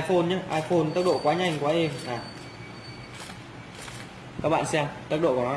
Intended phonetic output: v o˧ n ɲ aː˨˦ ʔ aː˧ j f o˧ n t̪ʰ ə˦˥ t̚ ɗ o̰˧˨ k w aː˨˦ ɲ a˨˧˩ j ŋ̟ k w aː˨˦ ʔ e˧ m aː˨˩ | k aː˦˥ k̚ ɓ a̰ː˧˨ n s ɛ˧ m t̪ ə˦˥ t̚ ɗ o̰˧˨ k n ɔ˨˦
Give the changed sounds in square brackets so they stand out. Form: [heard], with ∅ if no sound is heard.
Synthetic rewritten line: [f] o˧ n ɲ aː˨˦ ʔ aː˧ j f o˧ n [t̪] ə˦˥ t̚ ɗ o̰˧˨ k w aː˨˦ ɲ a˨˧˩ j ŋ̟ k w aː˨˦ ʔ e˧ m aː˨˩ | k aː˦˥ k̚ ɓ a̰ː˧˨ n s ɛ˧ m t̪ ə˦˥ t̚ ɗ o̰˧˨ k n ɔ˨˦